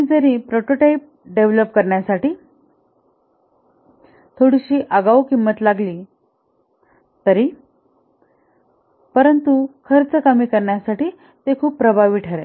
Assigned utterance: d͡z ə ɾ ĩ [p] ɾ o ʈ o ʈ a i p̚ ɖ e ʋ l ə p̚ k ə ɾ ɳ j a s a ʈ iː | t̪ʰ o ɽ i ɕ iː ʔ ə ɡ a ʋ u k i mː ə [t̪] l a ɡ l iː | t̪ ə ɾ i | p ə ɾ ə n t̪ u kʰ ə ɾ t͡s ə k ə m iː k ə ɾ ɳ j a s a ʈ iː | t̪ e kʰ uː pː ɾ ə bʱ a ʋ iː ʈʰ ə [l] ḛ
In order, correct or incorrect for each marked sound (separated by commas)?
correct, correct, incorrect